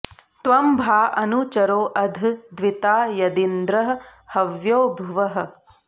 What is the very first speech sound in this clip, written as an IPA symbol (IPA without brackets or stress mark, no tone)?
t̪